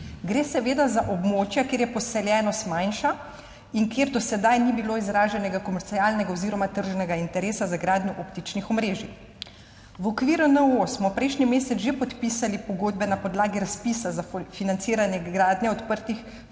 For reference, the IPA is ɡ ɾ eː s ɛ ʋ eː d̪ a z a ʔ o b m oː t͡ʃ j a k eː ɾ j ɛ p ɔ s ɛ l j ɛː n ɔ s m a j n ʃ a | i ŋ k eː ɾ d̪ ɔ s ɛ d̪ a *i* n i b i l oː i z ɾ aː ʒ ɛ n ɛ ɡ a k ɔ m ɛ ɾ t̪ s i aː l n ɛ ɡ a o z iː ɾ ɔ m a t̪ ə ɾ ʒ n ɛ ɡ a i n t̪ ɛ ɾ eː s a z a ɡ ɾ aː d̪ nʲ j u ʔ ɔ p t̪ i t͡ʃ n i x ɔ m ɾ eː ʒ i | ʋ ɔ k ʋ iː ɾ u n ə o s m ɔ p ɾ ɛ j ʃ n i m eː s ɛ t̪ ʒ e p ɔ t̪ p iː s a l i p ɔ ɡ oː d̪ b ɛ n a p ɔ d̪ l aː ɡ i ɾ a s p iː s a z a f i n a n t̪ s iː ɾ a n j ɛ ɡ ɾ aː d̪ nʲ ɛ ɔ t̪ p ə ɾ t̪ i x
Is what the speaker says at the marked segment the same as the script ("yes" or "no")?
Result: no